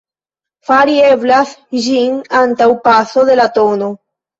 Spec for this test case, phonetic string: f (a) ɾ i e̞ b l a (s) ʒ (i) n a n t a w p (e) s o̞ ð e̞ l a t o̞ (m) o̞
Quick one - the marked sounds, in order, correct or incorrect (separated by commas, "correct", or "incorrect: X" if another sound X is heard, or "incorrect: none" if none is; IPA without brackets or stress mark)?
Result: correct, correct, correct, incorrect: a, incorrect: n